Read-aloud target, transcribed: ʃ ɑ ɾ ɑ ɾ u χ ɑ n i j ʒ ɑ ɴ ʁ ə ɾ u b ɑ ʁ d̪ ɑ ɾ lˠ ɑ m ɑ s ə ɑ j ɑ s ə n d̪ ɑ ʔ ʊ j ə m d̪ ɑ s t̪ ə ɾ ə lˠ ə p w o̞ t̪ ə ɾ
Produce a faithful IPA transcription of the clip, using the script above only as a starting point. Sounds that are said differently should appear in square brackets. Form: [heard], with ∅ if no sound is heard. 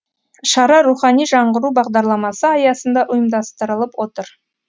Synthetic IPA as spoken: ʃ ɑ ɾ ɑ ɾ u χ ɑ n i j ʒ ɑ ɴ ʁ ə ɾ u b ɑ ʁ d̪ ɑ ɾ lˠ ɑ m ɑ s ə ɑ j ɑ s ə n d̪ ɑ ʔ ʊ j ə m d̪ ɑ s t̪ ə ɾ ə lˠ ə p w o̞ t̪ ə ɾ